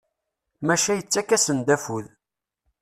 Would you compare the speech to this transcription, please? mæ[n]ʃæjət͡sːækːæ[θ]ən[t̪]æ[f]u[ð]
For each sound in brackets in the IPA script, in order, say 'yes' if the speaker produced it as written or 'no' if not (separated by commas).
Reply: no, no, no, yes, yes